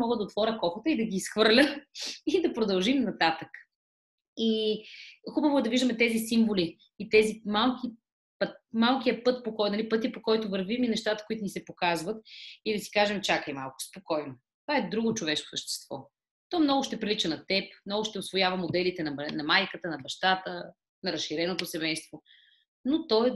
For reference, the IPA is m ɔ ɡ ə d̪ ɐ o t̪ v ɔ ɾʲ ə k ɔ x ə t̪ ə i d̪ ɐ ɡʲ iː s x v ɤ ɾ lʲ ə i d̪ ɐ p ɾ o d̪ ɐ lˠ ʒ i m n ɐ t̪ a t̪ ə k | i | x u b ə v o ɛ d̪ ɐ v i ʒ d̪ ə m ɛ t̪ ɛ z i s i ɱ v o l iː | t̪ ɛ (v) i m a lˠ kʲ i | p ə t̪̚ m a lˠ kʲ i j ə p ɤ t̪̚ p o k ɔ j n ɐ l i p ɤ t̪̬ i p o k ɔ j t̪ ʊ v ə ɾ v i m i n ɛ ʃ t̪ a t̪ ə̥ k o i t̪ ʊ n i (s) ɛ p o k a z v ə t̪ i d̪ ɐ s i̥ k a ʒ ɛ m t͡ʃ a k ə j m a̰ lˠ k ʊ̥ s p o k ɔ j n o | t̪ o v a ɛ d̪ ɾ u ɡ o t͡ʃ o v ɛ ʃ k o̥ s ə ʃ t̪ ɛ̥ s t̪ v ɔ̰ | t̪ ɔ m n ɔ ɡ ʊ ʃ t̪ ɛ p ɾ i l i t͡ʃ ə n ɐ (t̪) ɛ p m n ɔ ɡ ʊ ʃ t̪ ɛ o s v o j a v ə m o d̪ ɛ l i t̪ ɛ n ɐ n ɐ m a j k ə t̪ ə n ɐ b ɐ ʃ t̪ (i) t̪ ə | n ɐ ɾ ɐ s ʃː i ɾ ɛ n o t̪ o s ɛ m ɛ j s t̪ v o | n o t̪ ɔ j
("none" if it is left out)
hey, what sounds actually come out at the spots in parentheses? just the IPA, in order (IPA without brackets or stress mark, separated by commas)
z, s, t̪, a